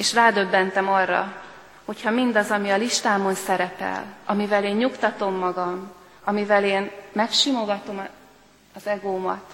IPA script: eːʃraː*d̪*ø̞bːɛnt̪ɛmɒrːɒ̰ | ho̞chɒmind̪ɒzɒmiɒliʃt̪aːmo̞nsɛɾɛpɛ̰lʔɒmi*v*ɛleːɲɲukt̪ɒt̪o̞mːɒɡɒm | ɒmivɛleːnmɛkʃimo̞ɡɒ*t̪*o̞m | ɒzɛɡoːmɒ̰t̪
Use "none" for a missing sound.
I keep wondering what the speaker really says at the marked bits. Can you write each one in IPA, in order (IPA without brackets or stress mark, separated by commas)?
d̪, v, t̪